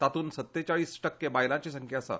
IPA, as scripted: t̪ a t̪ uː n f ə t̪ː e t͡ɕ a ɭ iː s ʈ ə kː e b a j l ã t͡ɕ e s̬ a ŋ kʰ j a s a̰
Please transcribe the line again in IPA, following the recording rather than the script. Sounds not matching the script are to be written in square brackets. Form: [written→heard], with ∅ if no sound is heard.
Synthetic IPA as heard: t̪ a t̪ uː n [f→s] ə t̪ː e t͡ɕ a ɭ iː s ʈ ə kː e b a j l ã t͡ɕ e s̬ [a→ə] ŋ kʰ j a s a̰